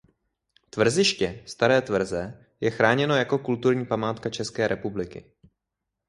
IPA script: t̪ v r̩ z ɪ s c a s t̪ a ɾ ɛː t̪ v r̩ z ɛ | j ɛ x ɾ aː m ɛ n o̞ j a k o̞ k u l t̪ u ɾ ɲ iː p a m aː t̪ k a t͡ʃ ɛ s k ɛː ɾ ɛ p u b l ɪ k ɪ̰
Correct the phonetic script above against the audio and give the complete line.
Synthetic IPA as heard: t̪ v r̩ z ɪ ʃ c ɛ s t̪ a ɾ ɛː t̪ v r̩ z ɛ | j ɛ x ɾ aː ɲ ɛ n o̞ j a k o̞ k u l t̪ u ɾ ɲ iː p a m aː t̪ k a t͡ʃ ɛ s k ɛː ɾ ɛ p u b l ɪ k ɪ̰